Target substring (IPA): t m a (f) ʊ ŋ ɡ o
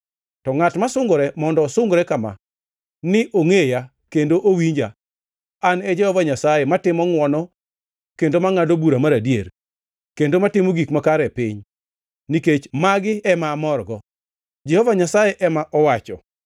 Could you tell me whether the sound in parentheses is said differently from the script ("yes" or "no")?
yes